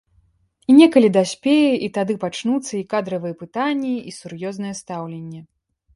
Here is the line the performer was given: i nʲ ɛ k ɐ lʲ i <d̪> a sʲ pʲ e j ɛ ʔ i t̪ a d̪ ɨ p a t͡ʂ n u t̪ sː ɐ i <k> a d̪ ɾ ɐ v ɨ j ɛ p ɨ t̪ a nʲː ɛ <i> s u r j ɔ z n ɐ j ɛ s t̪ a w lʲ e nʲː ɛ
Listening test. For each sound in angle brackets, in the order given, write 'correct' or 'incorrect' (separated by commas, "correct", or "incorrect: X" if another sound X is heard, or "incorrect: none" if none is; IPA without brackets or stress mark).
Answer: correct, correct, correct